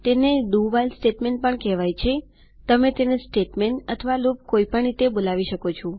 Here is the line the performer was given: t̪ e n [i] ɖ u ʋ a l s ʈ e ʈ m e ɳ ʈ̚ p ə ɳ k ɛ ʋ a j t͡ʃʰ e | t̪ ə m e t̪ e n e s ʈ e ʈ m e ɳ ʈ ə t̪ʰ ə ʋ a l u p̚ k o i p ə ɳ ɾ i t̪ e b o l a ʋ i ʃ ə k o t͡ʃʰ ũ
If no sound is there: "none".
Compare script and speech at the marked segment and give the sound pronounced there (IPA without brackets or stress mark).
e